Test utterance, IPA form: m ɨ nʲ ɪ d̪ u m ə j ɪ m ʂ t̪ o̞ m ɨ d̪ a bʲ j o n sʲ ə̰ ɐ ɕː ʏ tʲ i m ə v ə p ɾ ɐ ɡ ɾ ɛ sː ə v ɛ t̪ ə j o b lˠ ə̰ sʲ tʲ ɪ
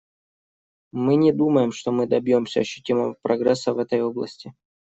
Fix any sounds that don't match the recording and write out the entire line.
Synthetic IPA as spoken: m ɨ nʲ ɪ d̪ u m ə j ɪ m ʂ t̪ o̞ m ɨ d̪ ɐ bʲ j o m sʲ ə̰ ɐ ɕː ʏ tʲ i m ə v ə p ɾ ɐ ɡ ɾ ɛ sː ə v ɛ t̪ ə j o b lˠ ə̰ sʲ tʲ ɪ